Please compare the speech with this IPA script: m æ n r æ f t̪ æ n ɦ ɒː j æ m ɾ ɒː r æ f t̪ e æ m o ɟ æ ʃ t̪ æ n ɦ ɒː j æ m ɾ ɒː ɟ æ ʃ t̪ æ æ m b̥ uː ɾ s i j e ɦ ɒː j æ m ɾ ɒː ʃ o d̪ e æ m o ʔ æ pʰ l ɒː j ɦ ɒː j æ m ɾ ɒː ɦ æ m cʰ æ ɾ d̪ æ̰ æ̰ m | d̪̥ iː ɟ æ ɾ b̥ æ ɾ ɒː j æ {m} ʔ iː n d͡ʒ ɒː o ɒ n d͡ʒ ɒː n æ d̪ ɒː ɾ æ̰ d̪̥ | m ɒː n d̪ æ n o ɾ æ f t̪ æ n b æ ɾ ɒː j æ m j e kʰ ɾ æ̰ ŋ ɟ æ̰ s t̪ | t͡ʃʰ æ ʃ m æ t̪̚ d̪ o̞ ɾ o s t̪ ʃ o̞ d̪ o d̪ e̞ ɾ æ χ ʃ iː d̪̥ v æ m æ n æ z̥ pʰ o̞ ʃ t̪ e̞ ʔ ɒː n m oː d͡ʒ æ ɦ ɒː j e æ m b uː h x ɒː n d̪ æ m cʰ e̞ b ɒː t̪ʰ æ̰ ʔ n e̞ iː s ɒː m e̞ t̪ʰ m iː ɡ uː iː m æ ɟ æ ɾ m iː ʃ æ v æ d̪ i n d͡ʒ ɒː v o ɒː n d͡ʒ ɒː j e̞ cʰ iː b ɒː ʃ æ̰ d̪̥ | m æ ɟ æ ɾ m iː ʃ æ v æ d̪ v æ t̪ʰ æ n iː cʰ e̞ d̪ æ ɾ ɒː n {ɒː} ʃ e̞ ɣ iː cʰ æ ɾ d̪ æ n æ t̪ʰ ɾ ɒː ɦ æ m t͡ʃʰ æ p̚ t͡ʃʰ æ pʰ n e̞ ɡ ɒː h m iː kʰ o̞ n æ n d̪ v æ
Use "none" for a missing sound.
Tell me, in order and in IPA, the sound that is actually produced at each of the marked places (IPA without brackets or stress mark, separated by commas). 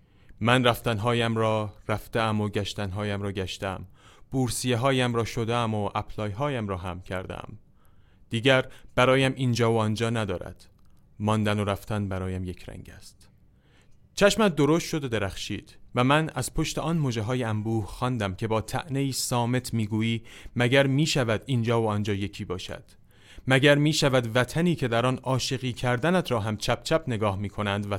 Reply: m, ɒː